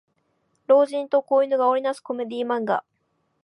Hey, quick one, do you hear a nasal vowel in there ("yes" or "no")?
yes